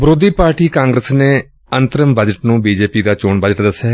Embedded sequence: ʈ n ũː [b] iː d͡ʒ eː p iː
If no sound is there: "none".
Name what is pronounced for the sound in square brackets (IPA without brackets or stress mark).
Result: b